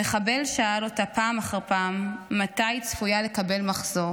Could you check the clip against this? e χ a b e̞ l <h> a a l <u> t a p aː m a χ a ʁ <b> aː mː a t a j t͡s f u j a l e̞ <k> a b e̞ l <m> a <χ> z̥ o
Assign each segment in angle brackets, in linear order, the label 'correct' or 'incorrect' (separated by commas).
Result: incorrect, incorrect, incorrect, correct, correct, correct